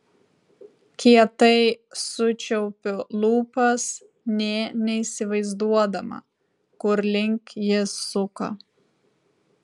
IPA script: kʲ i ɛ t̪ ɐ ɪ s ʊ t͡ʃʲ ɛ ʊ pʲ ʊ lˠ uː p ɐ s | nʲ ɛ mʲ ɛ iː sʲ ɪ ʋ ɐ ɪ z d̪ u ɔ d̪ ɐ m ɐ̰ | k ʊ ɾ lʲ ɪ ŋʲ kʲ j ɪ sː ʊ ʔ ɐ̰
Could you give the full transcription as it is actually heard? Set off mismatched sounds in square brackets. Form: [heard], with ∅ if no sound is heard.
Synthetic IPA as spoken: kʲ i ɛ t̪ ɐ ɪ s ʊ t͡ʃʲ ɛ ʊ pʲ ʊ lˠ uː p ɐ s | nʲ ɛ [nʲ] ɛ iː sʲ ɪ ʋ ɐ ɪ z d̪ u ɔ d̪ ɐ m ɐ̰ | k ʊ ɾ lʲ ɪ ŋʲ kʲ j ɪ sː ʊ [k] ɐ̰